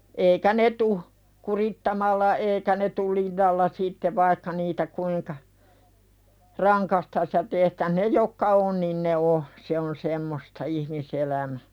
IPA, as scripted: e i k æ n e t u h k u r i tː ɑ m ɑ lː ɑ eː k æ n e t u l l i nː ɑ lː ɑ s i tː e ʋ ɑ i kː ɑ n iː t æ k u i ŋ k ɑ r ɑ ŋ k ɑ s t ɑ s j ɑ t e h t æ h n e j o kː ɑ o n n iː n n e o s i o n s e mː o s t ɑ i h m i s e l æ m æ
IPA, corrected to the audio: e i k æ n e t u h k u r i tː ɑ m ɑ lː ɑ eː k æ n e t u l l i nː ɑ lː ɑ s i tː e ʋ ɑ i kː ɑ n iː t æ k u i ŋ k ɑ r ɑ ŋ k ɑ s t ɑ s j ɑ t e h t æ h n e j o kː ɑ o n n iː n n e o s e o n s e mː o s t ɑ i h m i s e l æ m æ